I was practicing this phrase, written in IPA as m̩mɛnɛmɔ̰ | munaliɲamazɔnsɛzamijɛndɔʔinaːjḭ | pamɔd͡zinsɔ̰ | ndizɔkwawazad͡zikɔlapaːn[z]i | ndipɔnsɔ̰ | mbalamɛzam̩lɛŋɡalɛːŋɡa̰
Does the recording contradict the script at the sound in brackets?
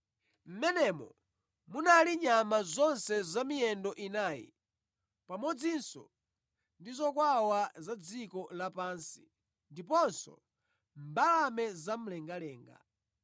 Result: yes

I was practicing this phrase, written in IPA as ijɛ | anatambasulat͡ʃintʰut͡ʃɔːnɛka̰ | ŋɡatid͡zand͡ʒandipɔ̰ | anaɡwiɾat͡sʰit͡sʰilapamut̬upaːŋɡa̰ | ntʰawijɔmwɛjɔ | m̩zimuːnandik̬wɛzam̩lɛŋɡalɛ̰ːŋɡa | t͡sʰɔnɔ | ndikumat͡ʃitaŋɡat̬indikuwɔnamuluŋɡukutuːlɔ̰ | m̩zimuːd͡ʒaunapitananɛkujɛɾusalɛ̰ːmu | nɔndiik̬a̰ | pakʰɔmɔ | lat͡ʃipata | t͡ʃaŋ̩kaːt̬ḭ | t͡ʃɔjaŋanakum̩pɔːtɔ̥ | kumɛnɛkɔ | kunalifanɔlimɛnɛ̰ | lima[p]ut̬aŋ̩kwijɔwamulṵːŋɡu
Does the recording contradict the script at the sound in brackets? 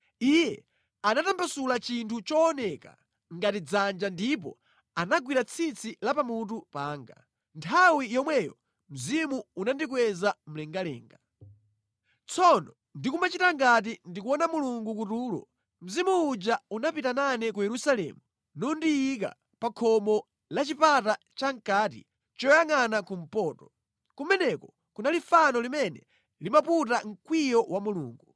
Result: no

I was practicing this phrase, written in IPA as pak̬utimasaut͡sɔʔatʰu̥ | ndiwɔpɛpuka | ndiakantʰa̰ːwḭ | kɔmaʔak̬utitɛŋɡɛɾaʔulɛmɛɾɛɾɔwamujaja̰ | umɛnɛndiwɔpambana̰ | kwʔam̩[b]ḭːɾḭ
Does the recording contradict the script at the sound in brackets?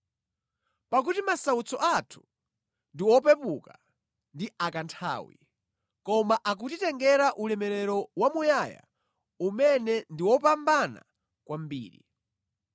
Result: no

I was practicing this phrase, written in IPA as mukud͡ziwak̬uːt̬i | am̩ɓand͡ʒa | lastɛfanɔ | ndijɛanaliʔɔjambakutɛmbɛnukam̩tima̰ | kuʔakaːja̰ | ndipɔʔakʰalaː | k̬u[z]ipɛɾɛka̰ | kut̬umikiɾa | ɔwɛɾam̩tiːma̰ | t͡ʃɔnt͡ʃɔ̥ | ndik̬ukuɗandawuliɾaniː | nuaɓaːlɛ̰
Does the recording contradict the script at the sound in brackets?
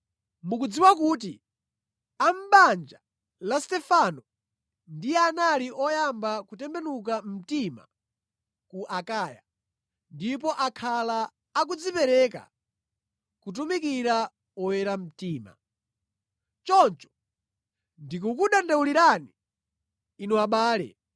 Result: yes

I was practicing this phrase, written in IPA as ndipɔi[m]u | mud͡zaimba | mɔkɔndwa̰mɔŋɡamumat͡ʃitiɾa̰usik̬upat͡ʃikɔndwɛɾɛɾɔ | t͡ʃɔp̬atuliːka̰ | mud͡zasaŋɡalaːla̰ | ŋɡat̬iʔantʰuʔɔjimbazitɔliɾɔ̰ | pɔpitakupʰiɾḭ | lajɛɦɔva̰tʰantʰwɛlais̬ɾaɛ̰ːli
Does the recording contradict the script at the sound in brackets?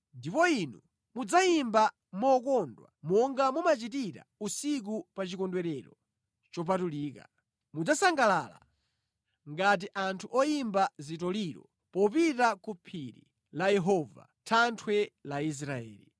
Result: yes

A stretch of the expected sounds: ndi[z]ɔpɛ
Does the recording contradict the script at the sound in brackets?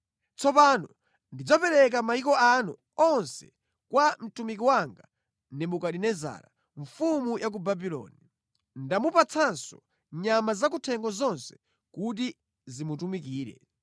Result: yes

